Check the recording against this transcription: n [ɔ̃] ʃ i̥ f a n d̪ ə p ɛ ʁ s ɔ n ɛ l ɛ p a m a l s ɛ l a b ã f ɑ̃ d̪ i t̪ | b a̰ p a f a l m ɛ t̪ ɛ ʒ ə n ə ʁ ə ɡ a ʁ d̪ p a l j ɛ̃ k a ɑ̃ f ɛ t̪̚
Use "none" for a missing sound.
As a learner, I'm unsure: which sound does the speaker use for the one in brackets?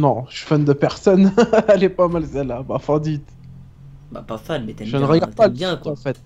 ɔ̃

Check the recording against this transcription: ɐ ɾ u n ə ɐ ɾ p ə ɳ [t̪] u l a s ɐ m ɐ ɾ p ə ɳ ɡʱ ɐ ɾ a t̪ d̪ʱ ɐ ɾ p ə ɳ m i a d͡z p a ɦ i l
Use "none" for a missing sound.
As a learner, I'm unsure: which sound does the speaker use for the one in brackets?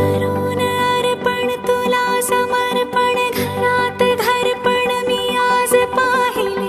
t̪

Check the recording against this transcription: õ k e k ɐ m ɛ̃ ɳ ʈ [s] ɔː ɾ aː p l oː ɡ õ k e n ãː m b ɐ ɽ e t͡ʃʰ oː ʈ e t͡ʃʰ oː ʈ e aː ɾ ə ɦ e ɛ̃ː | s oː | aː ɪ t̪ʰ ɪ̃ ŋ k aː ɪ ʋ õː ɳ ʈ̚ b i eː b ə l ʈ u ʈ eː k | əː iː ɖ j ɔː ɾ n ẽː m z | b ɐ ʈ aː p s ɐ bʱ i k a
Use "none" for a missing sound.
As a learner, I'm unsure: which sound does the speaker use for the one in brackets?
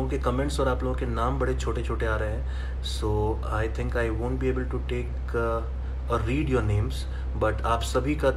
s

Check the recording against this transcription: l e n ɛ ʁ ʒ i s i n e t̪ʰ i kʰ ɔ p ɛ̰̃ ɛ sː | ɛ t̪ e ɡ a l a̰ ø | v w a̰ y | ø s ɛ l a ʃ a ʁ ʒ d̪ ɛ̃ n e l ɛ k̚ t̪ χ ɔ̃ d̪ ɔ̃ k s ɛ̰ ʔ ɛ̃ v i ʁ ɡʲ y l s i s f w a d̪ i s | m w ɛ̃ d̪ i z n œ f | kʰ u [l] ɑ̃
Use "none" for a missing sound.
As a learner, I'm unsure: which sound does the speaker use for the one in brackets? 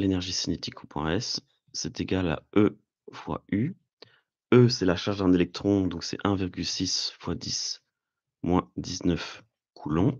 l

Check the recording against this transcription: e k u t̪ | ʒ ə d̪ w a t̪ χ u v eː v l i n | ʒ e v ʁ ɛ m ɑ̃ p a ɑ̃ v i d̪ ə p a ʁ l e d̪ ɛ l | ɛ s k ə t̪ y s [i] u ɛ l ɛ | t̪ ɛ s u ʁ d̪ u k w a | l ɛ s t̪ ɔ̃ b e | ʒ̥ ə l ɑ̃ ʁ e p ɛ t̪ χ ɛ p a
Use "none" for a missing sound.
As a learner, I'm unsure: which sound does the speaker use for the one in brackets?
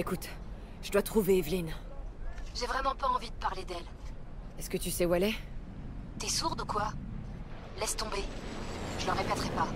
ɛ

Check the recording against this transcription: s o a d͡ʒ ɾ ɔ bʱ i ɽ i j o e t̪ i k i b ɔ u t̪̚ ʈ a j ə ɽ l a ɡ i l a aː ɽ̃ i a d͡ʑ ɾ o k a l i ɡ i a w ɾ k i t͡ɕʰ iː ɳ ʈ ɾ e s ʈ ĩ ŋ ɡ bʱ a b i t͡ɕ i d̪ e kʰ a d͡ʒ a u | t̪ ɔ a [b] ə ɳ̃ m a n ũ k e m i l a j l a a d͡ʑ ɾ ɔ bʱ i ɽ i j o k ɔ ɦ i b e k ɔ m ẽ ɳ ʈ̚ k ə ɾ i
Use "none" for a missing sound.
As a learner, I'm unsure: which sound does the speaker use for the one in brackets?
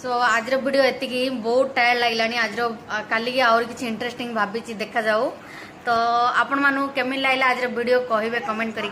p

